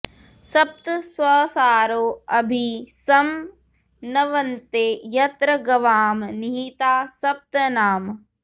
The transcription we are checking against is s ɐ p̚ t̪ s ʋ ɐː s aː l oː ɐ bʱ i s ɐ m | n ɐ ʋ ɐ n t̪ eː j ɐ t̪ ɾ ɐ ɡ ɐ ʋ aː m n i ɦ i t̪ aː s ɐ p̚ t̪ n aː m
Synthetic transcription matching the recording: s ɐ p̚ t̪ s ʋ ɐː s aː ɾ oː ɐ bʱ i s ɐ m | n ɐ ʋ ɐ n t̪ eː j ɐ t̪ ɾ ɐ ɡ ɐ ʋ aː m n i ɦ i t̪ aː s ɐ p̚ t̪ n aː m